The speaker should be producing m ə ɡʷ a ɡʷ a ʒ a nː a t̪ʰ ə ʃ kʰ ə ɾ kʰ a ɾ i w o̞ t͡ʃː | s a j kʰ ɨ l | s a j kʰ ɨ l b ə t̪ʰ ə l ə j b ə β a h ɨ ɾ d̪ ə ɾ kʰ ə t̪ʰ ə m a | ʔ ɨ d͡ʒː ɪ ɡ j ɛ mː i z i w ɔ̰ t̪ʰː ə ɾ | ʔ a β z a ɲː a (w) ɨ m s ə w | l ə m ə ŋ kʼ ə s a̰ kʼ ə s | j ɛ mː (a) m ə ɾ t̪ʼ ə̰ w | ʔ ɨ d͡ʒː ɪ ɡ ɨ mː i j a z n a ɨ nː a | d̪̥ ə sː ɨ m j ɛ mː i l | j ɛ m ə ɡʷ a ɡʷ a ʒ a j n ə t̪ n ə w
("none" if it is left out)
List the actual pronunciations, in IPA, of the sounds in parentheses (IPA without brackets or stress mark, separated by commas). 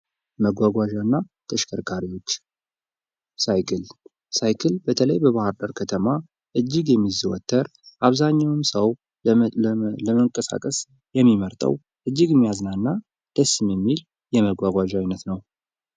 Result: w, i